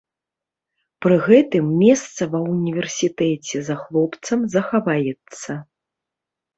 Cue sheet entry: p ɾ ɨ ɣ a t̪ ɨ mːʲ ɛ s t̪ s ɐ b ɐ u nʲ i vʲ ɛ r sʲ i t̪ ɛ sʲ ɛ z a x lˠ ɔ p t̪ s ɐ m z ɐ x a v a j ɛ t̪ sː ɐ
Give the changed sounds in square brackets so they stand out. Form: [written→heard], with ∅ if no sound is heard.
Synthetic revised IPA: p ɾ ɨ ɣ [a→ɛ] t̪ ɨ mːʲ ɛ s t̪ s ɐ [b→v] ɐ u nʲ i vʲ ɛ r sʲ i t̪ ɛ [sʲ→t͡sʲ] ɛ z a x lˠ ɔ p t̪ s ɐ m z ɐ x a v a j ɛ t̪ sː ɐ

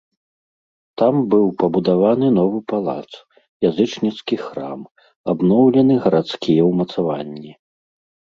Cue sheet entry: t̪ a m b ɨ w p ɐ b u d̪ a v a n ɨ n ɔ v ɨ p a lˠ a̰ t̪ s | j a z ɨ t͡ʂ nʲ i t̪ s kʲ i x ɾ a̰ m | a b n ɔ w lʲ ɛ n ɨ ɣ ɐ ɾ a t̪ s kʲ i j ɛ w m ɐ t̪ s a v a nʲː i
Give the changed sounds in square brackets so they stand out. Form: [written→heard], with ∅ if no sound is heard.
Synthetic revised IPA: t̪ a m b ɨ w p ɐ b u d̪ a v a n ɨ n ɔ v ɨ p a lˠ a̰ t̪ s | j a z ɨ t͡ʂ nʲ i t̪ s kʲ i x ɾ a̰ m | a b n ɔ w lʲ ɛ n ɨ ɣ ɐ ɾ a t̪ s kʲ i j ɛ w m ɐ t̪ s a v a nʲː i

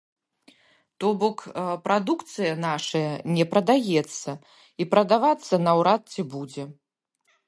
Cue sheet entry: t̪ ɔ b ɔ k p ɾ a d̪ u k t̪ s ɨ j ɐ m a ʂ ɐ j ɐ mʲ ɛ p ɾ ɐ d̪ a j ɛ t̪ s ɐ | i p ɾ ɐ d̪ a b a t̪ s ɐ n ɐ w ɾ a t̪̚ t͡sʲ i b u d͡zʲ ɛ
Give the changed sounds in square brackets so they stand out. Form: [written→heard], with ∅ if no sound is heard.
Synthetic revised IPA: t̪ ɔ b ɔ k p ɾ a d̪ u k t̪ s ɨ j ɐ [m→n] a ʂ ɐ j ɐ [mʲ→nʲ] ɛ p ɾ ɐ d̪ a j ɛ t̪ [s→sː] ɐ | i p ɾ ɐ d̪ a [b→v] a t̪ [s→sː] ɐ n ɐ w ɾ a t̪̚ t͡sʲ i b u d͡zʲ ɛ

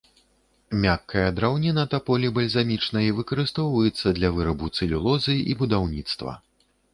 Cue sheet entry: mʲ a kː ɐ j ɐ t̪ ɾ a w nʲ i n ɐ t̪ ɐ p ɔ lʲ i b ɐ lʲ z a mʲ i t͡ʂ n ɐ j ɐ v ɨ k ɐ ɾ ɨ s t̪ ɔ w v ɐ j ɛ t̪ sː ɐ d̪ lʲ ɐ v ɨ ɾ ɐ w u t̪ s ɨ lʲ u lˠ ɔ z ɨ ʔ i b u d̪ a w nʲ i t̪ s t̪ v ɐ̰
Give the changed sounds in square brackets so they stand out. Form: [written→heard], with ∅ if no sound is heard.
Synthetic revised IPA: mʲ a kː ɐ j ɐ [t̪→d̪] ɾ a w nʲ i n ɐ t̪ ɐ p ɔ lʲ i b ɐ lʲ z a mʲ i t͡ʂ n ɐ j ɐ v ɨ k ɐ ɾ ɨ s t̪ ɔ w v ɐ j ɛ t̪ sː ɐ d̪ lʲ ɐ v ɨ ɾ ɐ [w→b] u t̪ s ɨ lʲ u lˠ ɔ z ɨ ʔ i b u d̪ a w nʲ i t̪ s t̪ v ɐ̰

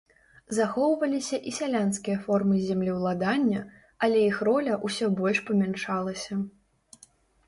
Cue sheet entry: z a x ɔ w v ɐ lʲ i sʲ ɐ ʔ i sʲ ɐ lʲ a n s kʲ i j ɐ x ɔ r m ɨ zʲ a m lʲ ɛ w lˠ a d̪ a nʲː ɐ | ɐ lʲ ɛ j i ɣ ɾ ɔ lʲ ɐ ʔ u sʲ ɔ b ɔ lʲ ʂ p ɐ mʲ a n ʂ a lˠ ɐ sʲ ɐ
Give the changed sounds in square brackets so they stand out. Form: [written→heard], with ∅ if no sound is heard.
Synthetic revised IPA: z a x ɔ w v ɐ lʲ i sʲ ɐ ʔ i sʲ [ɐ→a] lʲ a n s kʲ i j ɐ [x→f] ɔ r m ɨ zʲ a m lʲ [ɛ→i] w lˠ a d̪ a nʲː ɐ | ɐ lʲ ɛ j i [ɣ→x] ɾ ɔ lʲ ɐ ʔ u sʲ ɔ b ɔ lʲ ʂ p ɐ mʲ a n ʂ a lˠ ɐ sʲ ɐ

